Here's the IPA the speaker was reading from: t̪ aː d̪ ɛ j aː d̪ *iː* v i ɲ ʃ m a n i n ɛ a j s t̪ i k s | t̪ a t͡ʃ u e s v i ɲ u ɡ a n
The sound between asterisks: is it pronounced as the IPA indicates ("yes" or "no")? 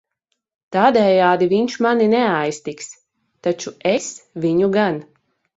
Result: no